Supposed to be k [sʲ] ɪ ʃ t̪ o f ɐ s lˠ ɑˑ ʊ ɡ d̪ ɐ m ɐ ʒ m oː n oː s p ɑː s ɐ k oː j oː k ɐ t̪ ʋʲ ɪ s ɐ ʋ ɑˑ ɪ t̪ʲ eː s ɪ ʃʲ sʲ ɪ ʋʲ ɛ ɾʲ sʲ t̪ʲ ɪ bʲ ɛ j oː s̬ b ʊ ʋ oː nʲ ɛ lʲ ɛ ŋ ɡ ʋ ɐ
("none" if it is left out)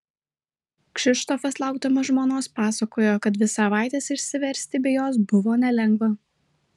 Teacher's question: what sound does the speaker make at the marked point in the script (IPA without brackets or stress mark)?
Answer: ʃʲ